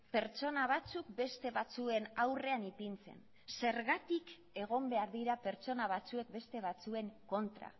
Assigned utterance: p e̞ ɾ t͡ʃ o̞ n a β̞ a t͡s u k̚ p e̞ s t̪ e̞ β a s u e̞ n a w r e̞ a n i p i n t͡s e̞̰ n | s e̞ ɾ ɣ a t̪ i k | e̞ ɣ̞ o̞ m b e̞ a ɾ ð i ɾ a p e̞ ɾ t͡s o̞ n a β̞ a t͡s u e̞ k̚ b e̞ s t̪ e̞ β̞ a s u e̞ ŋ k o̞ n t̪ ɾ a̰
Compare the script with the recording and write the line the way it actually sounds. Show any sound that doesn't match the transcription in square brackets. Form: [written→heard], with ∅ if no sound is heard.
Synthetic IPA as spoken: p e̞ ɾ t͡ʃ o̞ n a β̞ a t͡s u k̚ [p→b] e̞ s t̪ e̞ β a [s→t͡s] u e̞ n a w r e̞ a n i p i n t͡s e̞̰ n | s e̞ ɾ ɣ a t̪ i k | e̞ ɣ̞ o̞ m b e̞ a ɾ ð i ɾ a p e̞ ɾ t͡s o̞ n a β̞ a t͡s u e̞ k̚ b e̞ s t̪ e̞ β̞ a [s→t͡s] u e̞ ŋ k o̞ n t̪ ɾ a̰